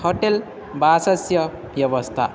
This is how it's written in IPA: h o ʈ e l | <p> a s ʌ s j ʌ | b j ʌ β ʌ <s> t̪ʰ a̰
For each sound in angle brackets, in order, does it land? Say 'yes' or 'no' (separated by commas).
no, yes